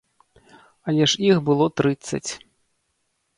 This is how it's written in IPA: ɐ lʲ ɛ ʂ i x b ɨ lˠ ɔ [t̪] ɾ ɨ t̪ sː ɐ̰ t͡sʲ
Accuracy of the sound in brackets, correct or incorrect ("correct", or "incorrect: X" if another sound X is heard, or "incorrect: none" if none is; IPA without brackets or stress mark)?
correct